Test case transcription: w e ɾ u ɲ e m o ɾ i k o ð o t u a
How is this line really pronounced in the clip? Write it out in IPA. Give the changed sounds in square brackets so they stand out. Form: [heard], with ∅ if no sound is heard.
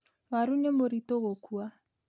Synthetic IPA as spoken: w [a] ɾ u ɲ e m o ɾ i [t] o [ɣ] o [k] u a